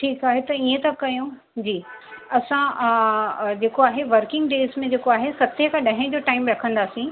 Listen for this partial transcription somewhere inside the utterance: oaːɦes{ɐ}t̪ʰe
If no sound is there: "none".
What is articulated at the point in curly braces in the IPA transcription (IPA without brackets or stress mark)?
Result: ɐ